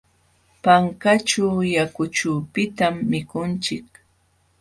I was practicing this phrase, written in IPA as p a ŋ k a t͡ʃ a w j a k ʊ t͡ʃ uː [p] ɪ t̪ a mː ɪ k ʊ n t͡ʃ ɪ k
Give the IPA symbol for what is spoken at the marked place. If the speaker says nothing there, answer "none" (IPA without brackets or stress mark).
p